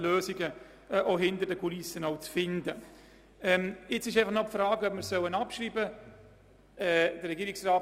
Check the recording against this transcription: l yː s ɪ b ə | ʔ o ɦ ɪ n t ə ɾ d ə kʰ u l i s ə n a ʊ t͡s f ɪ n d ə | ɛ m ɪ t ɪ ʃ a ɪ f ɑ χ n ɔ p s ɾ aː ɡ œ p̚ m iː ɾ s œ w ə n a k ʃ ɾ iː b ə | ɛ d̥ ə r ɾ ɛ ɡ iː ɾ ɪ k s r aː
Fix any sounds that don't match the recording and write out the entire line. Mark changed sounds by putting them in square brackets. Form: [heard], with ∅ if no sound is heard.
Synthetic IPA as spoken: l [øː] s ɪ [ɡ] ə | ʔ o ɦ ɪ n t ə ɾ d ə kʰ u l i s ə n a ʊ t͡s f ɪ n d ə | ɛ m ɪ [t͡s] ɪ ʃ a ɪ f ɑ χ n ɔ p [f] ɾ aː ɡ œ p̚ m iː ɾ s œ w ə n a [p] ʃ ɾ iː b ə | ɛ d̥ ə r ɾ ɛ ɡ iː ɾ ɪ k s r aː